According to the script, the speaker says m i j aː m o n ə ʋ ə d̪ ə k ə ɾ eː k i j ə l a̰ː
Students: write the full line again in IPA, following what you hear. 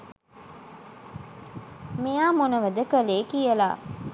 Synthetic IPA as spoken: m i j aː m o n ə ʋ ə d̪ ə k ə l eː k i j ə l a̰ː